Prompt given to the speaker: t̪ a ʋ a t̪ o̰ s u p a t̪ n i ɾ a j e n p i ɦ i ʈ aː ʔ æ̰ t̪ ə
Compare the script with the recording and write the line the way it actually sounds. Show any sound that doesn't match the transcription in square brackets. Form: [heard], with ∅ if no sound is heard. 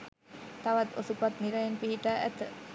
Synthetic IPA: t̪ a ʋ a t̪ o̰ s u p a t̪ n i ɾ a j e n p i ɦ i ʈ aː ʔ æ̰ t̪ ə

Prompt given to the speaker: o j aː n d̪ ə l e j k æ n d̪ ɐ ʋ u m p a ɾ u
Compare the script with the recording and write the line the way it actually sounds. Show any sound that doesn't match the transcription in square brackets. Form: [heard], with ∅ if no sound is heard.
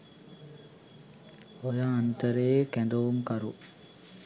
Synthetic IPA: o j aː n [t̪] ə [ɾ] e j k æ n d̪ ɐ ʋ u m [k] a ɾ u

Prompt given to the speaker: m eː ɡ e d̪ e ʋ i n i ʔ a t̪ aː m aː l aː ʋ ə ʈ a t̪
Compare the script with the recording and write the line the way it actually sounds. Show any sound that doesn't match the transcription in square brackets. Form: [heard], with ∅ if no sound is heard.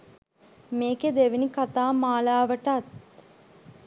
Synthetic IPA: m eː [k] e d̪ e ʋ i n i [k] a t̪ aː m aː l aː ʋ ə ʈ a t̪

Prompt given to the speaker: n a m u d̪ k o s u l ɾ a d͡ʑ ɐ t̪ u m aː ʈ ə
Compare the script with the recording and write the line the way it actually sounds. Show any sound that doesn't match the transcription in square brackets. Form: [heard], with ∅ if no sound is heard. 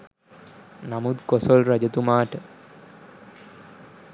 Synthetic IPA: n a m u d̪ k o s [o] l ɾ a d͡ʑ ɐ t̪ u m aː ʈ ə

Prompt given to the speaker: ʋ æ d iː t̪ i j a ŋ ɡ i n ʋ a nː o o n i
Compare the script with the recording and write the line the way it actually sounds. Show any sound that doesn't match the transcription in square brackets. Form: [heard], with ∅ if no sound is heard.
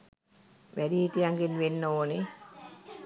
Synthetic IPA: ʋ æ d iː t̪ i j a ŋ ɡ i n ʋ [e] nː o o n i

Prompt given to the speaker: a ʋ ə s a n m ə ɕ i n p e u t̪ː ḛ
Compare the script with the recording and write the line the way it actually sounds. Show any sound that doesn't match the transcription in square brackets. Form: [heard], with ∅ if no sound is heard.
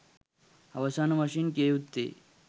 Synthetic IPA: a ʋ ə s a n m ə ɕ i n [k] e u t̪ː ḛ

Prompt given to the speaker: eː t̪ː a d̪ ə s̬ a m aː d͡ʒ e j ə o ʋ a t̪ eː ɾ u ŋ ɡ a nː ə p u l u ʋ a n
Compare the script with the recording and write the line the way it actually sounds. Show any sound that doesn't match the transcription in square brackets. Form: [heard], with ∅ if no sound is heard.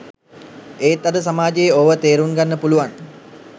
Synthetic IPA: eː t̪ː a d̪ ə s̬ a m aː d͡ʒ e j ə o ʋ [ə] t̪ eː ɾ u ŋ ɡ a nː ə p u l u ʋ a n

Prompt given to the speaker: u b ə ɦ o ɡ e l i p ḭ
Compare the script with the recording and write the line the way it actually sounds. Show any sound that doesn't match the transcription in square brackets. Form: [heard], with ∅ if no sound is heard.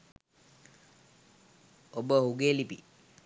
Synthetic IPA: [o] b ə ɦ [u] ɡ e l i p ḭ

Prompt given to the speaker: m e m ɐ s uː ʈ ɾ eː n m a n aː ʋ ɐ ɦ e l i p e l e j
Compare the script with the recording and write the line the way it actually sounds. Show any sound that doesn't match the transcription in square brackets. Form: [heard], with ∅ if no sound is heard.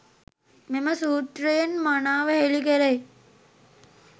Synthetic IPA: m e m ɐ s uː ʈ ɾ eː n m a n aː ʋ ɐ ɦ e l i [k] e [ɾ] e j

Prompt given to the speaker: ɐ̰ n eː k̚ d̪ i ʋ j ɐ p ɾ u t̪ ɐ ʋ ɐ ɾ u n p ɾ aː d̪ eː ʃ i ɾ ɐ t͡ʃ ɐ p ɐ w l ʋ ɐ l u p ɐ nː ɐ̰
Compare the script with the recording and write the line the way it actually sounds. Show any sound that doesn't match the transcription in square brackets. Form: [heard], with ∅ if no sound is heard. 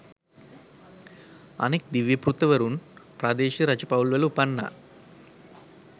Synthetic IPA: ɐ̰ n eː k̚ d̪ i ʋ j ɐ p ɾ u t̪ ɐ ʋ ɐ ɾ u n p ɾ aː d̪ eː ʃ i ɾ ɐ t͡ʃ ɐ p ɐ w l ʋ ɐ l u p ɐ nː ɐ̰

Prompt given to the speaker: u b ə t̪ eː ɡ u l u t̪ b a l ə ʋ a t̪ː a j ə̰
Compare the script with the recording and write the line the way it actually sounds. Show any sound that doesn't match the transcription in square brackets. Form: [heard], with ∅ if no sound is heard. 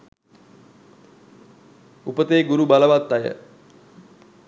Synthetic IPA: u [p] ə t̪ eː ɡ u [ɾ] u [∅] b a l ə ʋ a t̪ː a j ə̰

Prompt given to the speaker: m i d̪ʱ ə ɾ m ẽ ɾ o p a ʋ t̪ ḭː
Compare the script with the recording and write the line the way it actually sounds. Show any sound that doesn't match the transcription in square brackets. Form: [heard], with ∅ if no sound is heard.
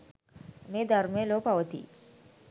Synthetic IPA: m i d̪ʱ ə ɾ m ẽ [l] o p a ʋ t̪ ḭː

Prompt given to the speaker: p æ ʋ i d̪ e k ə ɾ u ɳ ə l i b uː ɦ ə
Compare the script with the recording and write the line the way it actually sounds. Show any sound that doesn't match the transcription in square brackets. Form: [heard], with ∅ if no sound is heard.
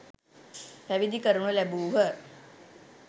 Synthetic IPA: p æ ʋ i d̪ [i] k ə ɾ u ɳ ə l [æ] b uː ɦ ə

